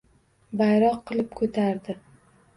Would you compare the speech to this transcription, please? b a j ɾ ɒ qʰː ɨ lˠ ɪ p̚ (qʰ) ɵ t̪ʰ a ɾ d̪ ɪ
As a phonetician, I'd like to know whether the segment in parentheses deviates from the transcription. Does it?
yes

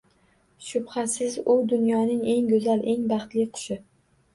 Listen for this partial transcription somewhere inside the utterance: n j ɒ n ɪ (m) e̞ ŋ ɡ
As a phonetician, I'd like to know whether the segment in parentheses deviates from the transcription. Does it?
yes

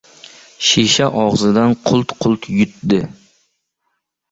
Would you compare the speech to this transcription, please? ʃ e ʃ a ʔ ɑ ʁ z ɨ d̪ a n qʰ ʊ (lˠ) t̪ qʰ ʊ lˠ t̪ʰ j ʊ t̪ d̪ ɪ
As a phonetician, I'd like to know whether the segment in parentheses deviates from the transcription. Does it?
no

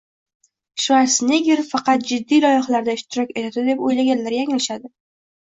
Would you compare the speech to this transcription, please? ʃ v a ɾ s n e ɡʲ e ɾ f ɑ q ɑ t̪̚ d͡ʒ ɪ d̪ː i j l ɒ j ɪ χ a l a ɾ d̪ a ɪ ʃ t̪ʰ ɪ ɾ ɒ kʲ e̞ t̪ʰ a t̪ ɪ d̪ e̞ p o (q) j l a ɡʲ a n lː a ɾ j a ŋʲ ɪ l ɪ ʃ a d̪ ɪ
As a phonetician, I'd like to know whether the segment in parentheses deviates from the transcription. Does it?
yes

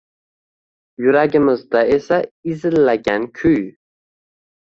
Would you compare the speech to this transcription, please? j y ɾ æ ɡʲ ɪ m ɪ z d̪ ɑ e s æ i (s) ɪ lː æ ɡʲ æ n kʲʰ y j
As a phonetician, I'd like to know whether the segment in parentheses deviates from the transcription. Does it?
yes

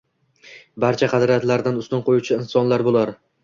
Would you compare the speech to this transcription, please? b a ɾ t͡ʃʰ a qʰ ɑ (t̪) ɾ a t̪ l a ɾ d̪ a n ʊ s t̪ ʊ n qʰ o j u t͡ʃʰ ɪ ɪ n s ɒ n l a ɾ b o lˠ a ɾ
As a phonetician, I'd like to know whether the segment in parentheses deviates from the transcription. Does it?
yes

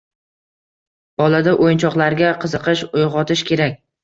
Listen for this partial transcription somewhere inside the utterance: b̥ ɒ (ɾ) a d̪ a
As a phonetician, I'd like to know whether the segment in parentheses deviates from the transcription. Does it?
yes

